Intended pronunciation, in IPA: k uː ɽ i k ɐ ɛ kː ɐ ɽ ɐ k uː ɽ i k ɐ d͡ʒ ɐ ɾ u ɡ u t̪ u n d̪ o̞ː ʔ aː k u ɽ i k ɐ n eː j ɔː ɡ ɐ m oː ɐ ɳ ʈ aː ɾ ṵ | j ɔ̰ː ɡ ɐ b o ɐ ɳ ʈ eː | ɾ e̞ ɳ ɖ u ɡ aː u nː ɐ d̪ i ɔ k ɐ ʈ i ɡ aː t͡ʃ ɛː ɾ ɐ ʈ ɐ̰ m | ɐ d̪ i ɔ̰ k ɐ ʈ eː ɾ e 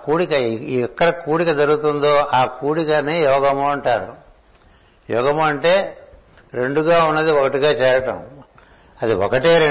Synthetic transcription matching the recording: k uː ɽ i k ɐ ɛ kː ɐ ɽ ɐ k uː ɽ i k ɐ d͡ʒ ɐ ɾ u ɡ u t̪ u n d̪ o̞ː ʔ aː k uː ɽ i k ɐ n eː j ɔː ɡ ɐ m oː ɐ ɳ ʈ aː ɾ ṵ | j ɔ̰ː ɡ ɐ m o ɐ ɳ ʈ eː | ɾ e̞ ɳ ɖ u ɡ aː u nː ɐ d̪ i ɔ k ɐ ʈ i ɡ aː t͡ʃ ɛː ɾ ɐ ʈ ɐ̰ m | ɐ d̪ i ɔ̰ k ɐ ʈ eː ɾ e